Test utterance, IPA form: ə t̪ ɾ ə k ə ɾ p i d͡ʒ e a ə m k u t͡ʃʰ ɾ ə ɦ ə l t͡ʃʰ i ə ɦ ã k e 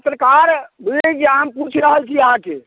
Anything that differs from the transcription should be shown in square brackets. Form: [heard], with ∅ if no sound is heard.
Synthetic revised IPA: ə t̪ ɾ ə k [a] ɾ [b] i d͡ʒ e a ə m [p] u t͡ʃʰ ɾ ə ɦ ə l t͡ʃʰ i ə ɦ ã k e

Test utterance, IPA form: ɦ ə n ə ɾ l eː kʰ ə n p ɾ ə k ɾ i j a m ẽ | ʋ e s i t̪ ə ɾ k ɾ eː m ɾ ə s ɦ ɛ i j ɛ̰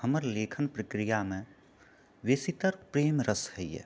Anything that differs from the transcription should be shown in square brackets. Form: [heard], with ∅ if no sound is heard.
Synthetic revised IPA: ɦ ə [m] ə ɾ l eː kʰ ə n p ɾ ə k ɾ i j a m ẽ | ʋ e s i t̪ ə ɾ [p] ɾ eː m ɾ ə s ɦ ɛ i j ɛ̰

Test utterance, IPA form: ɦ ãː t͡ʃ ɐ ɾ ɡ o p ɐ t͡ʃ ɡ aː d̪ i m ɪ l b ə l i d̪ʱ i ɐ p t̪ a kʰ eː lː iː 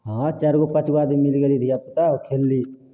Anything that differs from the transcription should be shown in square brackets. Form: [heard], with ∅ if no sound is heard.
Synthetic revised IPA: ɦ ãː t͡ʃ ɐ ɾ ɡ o p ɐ t͡ʃ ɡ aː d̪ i m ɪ l [ɡ] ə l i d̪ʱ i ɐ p t̪ a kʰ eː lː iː

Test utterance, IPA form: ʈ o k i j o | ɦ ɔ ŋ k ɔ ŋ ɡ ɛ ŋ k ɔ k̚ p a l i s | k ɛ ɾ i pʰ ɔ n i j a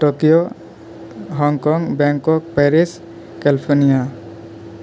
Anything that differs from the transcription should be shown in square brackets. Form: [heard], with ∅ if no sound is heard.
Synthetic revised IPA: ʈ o k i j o | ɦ ɔ ŋ k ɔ ŋ [b] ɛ ŋ k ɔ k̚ p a [ɾ] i s | k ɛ [l] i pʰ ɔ n i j a

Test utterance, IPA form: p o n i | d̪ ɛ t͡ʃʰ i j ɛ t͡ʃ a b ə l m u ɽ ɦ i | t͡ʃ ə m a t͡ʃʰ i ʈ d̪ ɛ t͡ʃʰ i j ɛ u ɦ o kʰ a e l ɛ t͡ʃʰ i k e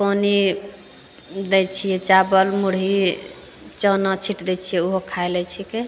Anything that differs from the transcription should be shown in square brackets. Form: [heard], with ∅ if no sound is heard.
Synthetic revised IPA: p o n i | d̪ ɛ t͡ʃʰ i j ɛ t͡ʃ a b ə l m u ɽ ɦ i | t͡ʃ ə [n] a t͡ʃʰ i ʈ d̪ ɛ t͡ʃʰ i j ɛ u ɦ o kʰ a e l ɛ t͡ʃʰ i k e

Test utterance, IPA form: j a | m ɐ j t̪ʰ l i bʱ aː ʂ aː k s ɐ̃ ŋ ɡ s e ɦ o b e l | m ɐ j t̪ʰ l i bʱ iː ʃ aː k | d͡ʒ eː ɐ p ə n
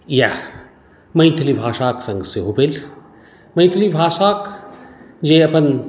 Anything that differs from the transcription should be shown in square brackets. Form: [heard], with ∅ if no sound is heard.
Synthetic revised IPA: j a | m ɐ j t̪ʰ l i bʱ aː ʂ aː k s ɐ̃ ŋ ɡ s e ɦ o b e l | m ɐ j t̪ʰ l i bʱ [aː] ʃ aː k | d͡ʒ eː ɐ p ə n

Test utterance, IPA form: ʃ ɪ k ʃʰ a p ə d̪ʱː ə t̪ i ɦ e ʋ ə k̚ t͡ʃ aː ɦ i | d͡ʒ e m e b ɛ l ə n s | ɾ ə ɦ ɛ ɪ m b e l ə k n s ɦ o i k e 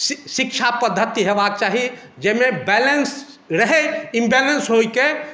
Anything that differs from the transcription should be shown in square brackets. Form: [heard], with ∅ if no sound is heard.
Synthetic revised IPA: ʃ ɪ k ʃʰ a p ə d̪ʱː ə t̪ i ɦ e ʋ [a] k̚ t͡ʃ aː ɦ i | d͡ʒ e m e b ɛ l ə n s | ɾ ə ɦ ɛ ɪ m b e l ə [∅] n s ɦ o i k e

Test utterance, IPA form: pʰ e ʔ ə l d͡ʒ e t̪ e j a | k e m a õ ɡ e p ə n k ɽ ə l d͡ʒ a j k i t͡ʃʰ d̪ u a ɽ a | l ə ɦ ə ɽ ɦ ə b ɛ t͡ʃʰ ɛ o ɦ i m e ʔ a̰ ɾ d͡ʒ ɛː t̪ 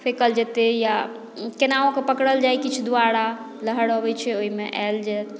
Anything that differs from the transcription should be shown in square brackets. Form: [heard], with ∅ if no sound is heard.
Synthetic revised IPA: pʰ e [k] ə l d͡ʒ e t̪ e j a | k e [n] a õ [k] e p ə [∅] k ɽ ə l d͡ʒ a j k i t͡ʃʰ d̪ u a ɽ a | l ə ɦ ə ɽ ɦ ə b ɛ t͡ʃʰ ɛ o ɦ i m e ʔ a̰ [l] d͡ʒ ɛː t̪

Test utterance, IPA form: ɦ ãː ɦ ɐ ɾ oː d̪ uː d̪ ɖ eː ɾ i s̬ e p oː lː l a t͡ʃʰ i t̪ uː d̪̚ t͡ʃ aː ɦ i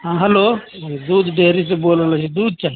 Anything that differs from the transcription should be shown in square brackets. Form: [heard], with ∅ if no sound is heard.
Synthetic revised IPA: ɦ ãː ɦ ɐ [l] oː d̪ uː d̪ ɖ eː ɾ i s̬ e [b] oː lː l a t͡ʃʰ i [d̪] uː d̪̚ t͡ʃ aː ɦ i

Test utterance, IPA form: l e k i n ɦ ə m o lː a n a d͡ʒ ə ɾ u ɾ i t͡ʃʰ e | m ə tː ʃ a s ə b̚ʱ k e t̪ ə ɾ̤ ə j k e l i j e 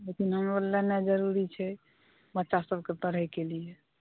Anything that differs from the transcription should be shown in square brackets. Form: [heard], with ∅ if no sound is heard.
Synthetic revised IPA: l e k i n ɦ ə m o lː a n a d͡ʒ ə ɾ u ɾ i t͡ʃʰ [ɛ] | [b] ə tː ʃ a s ə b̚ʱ k e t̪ ə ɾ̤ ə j k e l i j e

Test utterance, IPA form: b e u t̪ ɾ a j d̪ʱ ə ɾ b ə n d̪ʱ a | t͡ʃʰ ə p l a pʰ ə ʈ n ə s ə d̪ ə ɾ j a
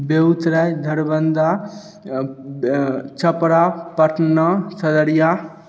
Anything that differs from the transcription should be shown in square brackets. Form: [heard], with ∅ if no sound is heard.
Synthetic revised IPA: b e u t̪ ɾ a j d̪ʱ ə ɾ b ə n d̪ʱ a | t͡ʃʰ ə p [ɾ] a [p] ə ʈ n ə s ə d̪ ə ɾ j a

